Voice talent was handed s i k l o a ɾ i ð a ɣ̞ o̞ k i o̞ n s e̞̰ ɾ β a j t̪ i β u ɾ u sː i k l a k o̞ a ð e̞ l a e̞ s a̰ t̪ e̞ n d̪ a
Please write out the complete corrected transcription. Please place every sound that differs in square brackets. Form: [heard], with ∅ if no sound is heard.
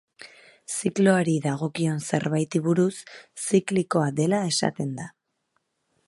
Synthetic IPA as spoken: s i k l o a ɾ i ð a ɣ̞ o̞ k i o̞ n s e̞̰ ɾ β a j t̪ i β u ɾ u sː i k l [i] k o̞ a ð e̞ l a e̞ s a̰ t̪ e̞ n d̪ a